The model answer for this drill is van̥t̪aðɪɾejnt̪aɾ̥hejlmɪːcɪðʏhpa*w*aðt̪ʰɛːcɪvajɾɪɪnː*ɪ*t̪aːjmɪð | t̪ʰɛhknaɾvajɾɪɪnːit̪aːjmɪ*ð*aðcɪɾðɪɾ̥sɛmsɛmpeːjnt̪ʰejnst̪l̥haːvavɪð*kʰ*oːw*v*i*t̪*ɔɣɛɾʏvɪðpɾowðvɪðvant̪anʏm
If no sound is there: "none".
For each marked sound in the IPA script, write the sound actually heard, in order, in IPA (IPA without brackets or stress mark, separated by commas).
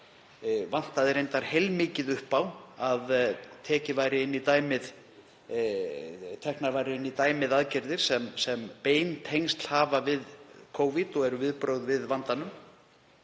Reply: w, i, ð, kʰ, v, t̪